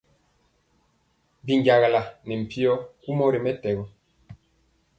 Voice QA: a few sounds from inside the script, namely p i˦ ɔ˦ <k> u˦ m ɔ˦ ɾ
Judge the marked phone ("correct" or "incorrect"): correct